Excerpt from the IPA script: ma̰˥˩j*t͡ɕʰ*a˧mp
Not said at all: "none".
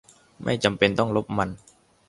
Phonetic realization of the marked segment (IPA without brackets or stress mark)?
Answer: t͡ɕ